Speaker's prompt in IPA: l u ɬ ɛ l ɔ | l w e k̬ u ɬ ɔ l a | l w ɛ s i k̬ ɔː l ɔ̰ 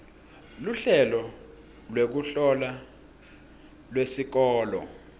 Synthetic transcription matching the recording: l u ɬ ɛ l ɔ | l w e k̬ u ɬ ɔ l a | l w e s i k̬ ɔː l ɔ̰